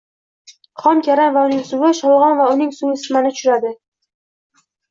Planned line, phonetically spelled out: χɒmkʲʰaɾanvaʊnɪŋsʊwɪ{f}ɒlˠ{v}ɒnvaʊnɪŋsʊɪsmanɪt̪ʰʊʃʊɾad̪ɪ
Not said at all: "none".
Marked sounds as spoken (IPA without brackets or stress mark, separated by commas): ʃ, ʁ